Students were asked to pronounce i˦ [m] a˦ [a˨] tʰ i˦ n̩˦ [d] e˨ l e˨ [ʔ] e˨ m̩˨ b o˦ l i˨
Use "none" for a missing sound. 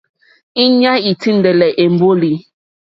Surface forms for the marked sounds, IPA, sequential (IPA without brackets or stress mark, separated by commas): ɲ, i˨, d, ʔ